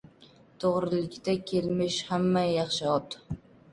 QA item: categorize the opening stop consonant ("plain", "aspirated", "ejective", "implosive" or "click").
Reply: aspirated